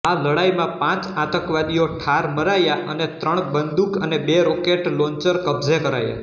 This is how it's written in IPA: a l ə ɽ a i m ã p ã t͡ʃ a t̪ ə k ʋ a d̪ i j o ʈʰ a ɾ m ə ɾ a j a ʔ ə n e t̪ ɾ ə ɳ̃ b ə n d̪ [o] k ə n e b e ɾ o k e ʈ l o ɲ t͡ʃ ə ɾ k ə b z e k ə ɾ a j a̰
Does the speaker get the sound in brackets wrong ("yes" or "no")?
yes